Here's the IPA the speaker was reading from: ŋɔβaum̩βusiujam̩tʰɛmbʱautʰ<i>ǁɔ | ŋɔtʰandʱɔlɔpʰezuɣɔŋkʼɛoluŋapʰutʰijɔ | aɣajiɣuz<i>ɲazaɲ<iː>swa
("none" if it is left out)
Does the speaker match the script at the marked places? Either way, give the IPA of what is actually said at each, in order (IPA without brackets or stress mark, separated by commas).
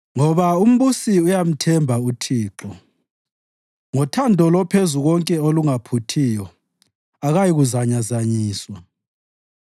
iː, a, iː